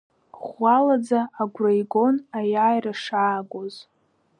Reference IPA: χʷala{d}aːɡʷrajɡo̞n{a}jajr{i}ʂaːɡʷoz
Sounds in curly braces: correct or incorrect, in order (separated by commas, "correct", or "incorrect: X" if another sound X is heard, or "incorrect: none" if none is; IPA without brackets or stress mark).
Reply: incorrect: d͡z, correct, incorrect: a